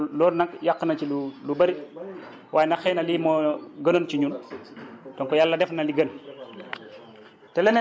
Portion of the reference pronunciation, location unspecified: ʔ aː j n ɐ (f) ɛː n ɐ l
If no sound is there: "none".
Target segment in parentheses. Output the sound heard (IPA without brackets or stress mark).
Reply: x